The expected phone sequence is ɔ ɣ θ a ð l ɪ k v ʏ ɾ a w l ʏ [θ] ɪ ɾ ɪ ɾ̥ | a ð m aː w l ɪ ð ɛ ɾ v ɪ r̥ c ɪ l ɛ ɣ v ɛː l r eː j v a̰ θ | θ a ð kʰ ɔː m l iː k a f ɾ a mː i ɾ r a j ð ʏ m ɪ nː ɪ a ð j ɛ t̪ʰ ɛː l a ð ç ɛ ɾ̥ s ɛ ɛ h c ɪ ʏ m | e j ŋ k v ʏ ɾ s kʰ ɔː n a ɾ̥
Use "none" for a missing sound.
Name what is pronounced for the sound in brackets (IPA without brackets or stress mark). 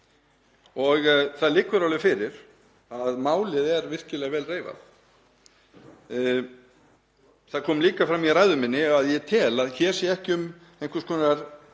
f